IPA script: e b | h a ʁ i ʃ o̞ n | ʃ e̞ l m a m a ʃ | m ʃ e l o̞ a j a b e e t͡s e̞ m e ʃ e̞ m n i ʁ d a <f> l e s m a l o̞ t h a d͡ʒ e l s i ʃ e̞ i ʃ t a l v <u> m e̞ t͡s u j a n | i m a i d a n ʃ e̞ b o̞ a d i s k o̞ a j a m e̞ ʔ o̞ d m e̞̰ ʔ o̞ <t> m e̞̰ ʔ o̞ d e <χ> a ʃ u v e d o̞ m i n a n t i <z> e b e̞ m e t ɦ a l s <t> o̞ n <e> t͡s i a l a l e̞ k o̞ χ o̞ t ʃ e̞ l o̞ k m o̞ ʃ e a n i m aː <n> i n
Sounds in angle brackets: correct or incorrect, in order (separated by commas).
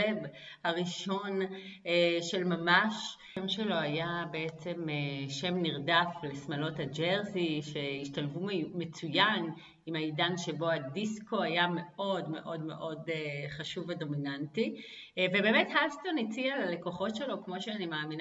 correct, correct, incorrect, correct, incorrect, correct, incorrect, incorrect